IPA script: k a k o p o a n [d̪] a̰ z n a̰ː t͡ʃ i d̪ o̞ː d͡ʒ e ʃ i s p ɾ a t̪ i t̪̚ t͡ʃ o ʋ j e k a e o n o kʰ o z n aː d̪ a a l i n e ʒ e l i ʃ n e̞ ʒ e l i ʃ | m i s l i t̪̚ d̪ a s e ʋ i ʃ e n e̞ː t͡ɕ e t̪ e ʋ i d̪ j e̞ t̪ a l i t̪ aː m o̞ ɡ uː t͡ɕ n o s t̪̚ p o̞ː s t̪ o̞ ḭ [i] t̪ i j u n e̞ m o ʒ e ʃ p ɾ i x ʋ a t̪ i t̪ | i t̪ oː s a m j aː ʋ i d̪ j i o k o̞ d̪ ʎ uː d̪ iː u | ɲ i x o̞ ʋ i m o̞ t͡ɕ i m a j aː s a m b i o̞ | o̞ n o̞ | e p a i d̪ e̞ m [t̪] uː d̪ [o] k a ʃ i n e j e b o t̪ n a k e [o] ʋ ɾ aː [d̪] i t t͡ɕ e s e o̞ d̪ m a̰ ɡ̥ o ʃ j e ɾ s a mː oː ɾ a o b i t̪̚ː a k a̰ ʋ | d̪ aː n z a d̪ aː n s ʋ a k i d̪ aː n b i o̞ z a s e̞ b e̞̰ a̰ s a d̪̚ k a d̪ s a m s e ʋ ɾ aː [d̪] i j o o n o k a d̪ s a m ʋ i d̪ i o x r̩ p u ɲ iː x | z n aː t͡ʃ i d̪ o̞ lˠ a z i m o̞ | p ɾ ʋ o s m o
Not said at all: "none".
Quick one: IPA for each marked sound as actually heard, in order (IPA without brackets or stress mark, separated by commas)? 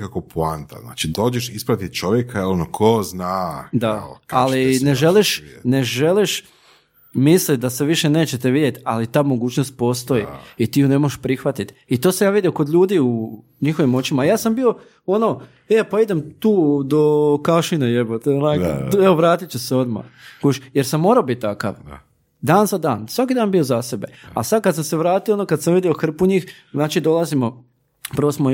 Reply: t̪, i, t̪, o, o, t̪, t̪